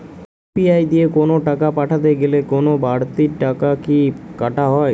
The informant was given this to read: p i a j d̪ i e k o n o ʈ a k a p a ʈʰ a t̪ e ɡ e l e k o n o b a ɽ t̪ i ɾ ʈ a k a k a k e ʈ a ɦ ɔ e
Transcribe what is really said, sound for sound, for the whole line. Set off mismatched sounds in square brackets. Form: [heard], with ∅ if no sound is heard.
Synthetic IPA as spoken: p i a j d̪ i e k o n o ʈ a k a p a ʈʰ a t̪ e ɡ e l e k o n o b a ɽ t̪ i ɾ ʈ a k a k [i] k [a] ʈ a ɦ ɔ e